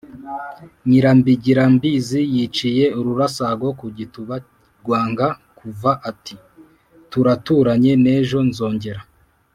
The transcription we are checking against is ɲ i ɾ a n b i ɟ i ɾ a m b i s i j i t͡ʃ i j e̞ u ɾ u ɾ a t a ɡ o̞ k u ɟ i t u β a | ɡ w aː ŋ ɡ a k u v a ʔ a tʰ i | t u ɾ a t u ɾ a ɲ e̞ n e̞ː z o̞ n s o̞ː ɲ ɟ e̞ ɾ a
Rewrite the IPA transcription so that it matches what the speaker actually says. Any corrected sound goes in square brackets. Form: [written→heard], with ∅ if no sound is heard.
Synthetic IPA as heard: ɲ i ɾ a [n→m] b i ɟ i ɾ a m b i [s→z] i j i t͡ʃ i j e̞ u ɾ u ɾ a [t→s] a ɡ o̞ k u ɟ i t u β a | ɡ w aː ŋ ɡ a k u v a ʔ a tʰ i | t u ɾ a t u ɾ a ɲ e̞ n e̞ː [z→ʒ] o̞ n [s→z] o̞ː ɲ ɟ e̞ ɾ a